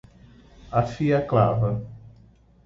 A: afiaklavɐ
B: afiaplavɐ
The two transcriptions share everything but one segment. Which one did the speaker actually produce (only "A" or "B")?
A